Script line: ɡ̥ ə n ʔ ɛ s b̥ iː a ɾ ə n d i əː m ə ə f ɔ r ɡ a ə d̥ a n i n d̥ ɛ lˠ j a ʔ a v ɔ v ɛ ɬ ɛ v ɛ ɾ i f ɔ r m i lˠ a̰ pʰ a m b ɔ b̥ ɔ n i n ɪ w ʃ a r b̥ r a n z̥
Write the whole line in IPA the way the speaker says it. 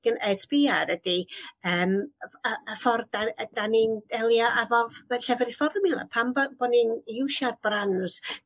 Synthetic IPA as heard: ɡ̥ ə n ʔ ɛ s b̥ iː a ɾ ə d i əː m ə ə f ɔ r d a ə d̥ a n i n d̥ ɛ lˠ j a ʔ a v ɔ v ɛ ɬ ɛ v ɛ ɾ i f ɔ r m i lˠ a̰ pʰ a m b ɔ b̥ ɔ n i n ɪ w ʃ a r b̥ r a n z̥